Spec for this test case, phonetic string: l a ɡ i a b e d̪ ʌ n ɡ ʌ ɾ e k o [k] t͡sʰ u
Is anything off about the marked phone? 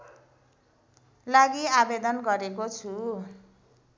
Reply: yes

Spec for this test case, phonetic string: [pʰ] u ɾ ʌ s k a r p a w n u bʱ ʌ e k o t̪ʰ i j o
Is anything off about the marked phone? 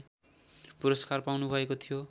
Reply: yes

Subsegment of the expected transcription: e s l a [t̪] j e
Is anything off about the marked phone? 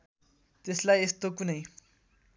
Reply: yes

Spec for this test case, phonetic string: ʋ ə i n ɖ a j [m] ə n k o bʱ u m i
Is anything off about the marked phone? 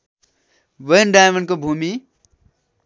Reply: no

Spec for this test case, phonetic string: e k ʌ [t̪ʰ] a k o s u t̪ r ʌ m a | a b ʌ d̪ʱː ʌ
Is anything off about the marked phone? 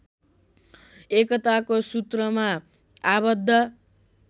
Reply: yes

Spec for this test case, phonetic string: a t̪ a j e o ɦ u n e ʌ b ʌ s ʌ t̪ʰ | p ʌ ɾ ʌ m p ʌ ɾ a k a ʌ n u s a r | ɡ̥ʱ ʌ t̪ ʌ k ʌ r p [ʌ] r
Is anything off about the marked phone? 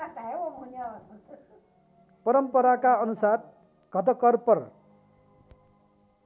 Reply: no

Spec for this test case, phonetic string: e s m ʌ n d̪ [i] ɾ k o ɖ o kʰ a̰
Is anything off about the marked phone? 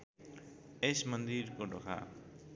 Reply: no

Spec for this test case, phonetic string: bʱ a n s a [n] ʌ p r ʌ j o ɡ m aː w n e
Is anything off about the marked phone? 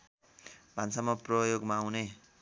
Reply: yes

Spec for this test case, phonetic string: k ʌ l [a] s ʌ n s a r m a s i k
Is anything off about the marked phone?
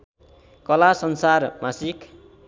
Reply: no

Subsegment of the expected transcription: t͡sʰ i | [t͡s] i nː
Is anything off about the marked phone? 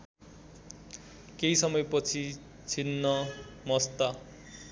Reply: yes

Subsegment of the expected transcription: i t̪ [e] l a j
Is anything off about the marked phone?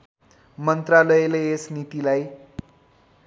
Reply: yes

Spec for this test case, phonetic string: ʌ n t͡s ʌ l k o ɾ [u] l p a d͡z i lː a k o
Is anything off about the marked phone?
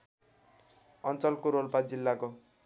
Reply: yes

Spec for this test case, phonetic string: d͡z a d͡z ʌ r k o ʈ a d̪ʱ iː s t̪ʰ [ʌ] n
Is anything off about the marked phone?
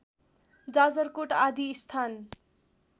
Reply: yes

